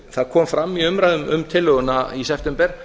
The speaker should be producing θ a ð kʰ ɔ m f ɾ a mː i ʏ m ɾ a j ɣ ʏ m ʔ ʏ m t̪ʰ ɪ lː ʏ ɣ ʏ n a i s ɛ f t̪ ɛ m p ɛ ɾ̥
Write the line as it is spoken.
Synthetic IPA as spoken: θ a ð kʰ ɔː m f ɾ a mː i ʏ m ɾ a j ð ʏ m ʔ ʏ m t̪ʰ ɪ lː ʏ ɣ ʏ n a i s ɛ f t̪ ɛ m p ɛ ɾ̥